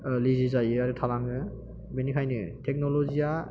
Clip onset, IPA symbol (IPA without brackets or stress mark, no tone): l